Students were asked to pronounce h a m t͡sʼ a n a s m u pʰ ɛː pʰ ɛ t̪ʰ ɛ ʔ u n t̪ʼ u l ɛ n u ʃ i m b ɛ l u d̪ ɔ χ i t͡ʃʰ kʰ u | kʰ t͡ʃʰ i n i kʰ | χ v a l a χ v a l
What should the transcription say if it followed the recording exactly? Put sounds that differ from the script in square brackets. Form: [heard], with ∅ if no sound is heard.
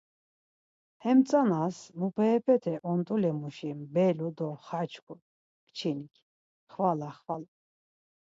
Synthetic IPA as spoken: h [ɛ] m t͡sʼ a n a s m u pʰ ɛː pʰ ɛ t̪ʰ ɛ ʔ [ɔ] n t̪ʼ u l ɛ [m] u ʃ i m b ɛ l u d̪ ɔ χ [a] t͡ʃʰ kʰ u | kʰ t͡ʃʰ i n i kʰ | χ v a l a χ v a l